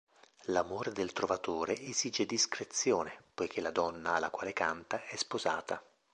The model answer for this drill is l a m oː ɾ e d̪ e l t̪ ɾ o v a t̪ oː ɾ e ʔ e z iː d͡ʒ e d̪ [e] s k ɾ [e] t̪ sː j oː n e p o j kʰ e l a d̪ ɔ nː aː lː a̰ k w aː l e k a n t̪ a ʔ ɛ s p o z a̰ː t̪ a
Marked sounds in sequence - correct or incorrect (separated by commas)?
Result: incorrect, correct